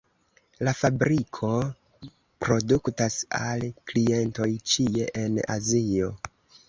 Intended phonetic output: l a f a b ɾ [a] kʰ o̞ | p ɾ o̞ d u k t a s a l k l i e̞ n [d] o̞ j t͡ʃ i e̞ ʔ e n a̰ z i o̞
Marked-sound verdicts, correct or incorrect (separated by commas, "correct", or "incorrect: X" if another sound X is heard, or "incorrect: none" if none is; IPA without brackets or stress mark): incorrect: i, incorrect: t